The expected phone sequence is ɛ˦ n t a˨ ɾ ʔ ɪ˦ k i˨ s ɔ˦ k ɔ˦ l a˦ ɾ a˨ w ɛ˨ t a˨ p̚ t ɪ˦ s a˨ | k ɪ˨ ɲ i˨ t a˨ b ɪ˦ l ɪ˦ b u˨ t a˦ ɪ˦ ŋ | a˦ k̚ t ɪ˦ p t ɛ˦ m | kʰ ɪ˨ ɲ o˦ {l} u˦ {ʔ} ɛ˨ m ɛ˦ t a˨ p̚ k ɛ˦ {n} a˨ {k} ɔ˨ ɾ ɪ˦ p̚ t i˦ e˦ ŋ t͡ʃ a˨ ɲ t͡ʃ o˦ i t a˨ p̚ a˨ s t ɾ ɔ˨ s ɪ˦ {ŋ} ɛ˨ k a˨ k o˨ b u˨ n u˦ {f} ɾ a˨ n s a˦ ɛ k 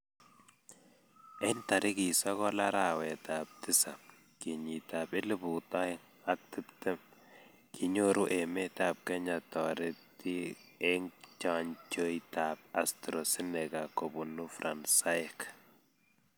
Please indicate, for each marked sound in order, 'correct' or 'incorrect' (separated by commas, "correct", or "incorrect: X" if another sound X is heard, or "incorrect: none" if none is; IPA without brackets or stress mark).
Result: incorrect: ɾ, correct, incorrect: ɲ, incorrect: t, incorrect: n, correct